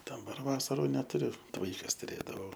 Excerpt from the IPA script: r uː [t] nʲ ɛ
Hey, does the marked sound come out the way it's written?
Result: no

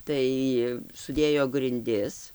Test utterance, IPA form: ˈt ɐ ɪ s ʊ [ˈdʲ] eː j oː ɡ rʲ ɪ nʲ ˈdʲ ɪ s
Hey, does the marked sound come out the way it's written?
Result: yes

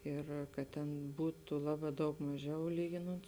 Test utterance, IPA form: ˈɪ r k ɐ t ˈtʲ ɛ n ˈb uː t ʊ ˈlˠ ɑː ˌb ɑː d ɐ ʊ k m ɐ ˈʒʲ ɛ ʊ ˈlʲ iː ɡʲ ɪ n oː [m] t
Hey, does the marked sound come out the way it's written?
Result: no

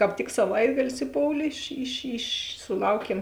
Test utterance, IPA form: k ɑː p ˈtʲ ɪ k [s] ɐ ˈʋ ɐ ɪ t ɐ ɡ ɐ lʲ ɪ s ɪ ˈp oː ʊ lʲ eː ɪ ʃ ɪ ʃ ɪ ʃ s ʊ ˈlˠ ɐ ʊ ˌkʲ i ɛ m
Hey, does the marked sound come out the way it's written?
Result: yes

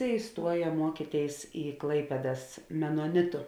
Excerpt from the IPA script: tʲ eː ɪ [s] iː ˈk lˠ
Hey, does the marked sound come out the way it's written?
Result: yes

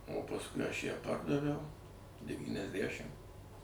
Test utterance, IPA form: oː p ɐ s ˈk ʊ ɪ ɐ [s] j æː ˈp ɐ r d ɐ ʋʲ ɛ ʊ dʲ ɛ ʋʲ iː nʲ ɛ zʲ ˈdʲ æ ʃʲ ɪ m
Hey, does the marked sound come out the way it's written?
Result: no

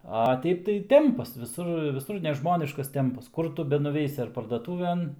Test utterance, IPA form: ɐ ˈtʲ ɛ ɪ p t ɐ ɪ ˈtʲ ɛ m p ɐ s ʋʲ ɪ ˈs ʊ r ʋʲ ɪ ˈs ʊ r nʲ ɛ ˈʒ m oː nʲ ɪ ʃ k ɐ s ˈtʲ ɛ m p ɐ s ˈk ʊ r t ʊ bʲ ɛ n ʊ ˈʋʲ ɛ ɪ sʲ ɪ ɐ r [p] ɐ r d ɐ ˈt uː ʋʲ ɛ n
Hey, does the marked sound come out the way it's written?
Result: yes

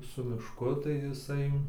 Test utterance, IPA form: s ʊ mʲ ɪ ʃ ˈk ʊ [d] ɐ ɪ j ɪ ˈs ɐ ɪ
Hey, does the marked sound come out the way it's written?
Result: no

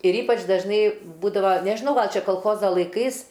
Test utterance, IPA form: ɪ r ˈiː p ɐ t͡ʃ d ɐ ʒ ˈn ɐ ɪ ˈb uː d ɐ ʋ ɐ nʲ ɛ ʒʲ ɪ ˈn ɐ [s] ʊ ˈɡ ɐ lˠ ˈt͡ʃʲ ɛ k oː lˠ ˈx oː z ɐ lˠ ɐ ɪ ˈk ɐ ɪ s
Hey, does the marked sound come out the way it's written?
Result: no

